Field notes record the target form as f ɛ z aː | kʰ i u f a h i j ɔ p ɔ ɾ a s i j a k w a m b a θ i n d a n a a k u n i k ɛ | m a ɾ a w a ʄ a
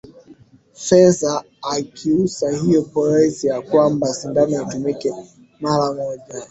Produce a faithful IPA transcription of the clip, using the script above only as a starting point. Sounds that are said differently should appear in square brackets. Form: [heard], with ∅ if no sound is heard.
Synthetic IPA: f ɛ z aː | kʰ i u [s] a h i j ɔ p ɔ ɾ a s i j a k w a m b a [s] i n d a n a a [t] u [m] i k ɛ | m a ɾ a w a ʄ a